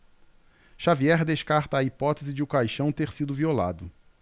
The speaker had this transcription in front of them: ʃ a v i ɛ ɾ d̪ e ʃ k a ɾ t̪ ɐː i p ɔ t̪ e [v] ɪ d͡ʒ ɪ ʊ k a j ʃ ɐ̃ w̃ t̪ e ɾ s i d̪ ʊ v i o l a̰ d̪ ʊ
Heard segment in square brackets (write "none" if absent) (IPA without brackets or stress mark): z